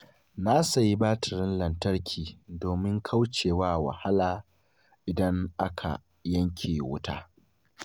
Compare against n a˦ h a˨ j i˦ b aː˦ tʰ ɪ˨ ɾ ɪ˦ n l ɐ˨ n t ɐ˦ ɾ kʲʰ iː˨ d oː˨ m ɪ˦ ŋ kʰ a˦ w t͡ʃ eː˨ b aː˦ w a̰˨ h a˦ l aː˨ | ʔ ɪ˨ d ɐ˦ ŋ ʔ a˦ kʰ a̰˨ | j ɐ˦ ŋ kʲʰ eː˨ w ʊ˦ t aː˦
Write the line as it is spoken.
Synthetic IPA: n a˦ s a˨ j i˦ b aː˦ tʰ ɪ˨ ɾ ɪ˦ n l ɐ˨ n t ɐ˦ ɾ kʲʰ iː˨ d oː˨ m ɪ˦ ŋ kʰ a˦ w t͡ʃ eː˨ w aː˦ w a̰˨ h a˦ l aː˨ | ʔ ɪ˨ d ɐ˦ ŋ ʔ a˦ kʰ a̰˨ | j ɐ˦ ŋ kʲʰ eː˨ w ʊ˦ t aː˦

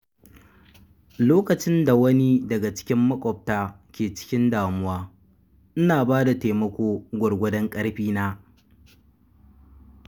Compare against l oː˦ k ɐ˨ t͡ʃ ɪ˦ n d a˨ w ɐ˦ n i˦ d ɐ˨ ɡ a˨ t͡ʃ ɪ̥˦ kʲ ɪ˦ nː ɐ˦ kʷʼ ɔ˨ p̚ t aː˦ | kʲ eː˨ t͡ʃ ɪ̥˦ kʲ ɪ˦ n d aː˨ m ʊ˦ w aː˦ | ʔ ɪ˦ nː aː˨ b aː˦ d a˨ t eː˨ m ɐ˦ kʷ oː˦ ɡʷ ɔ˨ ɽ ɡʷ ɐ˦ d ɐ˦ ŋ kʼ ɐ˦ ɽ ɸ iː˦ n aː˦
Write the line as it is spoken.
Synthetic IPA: l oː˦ k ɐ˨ t͡ʃ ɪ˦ n d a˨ w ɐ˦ n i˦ d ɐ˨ ɡ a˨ t͡ʃ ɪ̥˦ kʲ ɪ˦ mː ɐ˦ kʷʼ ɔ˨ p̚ t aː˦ | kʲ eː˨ t͡ʃ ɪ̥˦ kʲ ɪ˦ n d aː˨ m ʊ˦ w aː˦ | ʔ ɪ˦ n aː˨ b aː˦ d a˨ t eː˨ m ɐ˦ kʷ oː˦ ɡʷ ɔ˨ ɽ ɡʷ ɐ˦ d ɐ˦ ŋ kʼ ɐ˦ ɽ ɸ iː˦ n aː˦

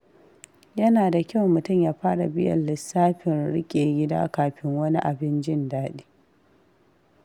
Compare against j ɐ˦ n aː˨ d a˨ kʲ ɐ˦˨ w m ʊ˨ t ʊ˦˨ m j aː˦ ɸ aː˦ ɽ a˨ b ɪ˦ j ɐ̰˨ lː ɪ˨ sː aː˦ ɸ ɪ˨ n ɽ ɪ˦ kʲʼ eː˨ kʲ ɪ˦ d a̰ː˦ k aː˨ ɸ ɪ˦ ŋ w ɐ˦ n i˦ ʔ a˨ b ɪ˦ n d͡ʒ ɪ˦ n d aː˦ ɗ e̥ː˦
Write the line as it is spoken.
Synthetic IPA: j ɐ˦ n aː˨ d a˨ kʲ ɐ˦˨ w m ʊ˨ t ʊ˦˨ m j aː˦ ɸ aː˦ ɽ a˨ b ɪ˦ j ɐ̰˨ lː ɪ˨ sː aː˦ ɸ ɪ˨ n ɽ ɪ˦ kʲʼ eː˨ ɡʲ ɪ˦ d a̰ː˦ k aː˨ ɸ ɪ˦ ŋ w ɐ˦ n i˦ ʔ a˨ b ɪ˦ n d͡ʒ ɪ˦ n d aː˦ ɗ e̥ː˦

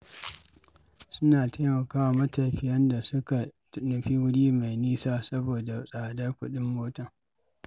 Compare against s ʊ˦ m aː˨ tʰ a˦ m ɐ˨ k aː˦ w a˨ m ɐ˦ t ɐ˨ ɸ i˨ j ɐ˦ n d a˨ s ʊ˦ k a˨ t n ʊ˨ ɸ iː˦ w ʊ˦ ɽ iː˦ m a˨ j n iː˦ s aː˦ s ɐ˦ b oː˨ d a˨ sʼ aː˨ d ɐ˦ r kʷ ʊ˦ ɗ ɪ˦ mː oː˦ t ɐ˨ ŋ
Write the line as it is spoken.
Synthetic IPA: s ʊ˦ n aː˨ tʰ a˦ m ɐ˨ k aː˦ w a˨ m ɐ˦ t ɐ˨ ɸ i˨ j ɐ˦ n d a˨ s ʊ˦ k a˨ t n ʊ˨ ɸ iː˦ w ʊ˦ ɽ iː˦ m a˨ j n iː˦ s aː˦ s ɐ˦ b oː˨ d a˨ sʼ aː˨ d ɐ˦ r kʷ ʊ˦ ɗ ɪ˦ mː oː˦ t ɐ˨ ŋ

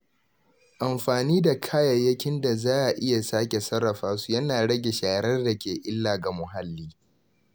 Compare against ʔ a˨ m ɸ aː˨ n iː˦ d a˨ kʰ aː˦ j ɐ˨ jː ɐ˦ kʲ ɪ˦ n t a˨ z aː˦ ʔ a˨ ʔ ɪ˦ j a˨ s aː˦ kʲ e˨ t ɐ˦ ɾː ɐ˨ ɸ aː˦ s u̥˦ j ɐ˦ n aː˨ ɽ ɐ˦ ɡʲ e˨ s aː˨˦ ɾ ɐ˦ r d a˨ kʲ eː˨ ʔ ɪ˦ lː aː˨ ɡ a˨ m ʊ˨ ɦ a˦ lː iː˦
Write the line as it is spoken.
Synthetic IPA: ʔ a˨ m ɸ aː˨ n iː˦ d a˨ kʰ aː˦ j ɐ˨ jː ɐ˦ kʲ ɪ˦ n d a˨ z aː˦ ʔ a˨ ʔ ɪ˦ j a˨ s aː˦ kʲ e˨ s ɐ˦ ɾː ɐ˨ ɸ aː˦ s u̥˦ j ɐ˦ n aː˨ ɽ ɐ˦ ɡʲ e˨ ʃ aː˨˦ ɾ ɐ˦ r d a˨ kʲ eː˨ ʔ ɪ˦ lː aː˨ ɡ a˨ m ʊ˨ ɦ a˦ lː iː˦

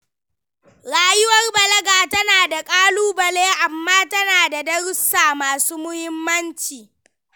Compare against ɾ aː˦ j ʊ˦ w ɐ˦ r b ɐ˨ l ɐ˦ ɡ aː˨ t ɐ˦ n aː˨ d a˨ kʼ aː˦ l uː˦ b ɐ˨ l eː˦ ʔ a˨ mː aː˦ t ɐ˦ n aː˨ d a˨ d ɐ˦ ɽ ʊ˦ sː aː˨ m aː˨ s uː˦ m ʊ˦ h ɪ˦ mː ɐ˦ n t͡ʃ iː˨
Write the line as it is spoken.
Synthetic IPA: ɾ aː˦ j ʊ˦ w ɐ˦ r b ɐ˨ l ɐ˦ ɡ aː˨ t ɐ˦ n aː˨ d a˨ kʼ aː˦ l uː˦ b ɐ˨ l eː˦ ʔ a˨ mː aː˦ t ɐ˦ n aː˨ d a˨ d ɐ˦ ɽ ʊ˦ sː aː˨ m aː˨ s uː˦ m ʊ˦ h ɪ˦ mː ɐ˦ n t͡ʃ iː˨

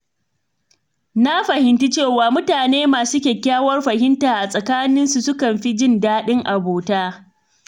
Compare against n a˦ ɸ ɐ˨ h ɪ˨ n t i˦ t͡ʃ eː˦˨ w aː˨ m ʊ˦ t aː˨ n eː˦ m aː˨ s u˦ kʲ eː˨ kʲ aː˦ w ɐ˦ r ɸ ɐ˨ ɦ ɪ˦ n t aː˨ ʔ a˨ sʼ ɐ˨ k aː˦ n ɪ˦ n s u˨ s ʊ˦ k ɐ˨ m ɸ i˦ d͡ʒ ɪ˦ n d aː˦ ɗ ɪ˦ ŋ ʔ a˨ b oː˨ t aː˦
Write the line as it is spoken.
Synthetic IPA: n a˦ ɸ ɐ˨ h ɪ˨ n t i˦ t͡ʃ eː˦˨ w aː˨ m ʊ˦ t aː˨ n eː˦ m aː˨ s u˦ kʲ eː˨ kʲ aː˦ w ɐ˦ r ɸ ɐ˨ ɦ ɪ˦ n t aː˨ ʔ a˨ sʼ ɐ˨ k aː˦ n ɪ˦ n s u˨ s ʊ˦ k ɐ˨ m ɸ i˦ d͡ʒ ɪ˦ n d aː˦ ɗ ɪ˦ ŋ ʔ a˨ b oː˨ t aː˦

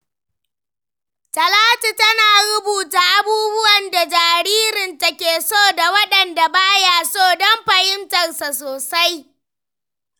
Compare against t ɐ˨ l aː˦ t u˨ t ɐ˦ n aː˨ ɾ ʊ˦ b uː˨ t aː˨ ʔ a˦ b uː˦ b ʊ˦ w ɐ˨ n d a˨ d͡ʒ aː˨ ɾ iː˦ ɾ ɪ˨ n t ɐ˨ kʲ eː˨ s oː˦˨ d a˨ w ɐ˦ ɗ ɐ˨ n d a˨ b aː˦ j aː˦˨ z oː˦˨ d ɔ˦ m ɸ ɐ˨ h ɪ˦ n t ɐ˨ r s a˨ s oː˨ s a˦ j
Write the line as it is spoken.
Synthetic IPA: t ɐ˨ l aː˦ t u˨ t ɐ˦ n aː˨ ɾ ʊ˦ b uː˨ t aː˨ ʔ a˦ b uː˦ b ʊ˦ w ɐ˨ n d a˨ d͡ʒ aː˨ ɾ iː˦ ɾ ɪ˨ n t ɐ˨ kʲ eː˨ s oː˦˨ d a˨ w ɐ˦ ɗ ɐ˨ n d a˨ b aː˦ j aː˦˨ s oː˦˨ d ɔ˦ m ɸ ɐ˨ h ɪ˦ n t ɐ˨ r s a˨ s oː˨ s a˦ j

